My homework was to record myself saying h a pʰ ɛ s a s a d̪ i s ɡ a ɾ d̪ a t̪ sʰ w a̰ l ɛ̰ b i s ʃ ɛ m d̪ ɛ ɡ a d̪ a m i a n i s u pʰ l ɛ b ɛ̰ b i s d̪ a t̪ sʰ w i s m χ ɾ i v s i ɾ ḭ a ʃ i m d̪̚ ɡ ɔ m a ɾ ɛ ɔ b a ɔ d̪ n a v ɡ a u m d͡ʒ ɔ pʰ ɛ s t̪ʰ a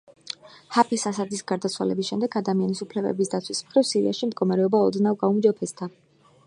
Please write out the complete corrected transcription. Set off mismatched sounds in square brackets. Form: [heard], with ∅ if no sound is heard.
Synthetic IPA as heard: h a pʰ ɛ s a s a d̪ i s ɡ a ɾ d̪ a t̪ sʰ w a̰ l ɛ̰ b i s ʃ ɛ m d̪ ɛ ɡ a d̪ a m i a n i s u pʰ l ɛ b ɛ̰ b i s d̪ a t̪ sʰ w i s m χ ɾ i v s i ɾ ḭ a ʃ i m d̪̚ ɡ ɔ m a ɾ ɛ ɔ b a ɔ d̪ n a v ɡ a u m d͡ʒ ɔ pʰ ɛ s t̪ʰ a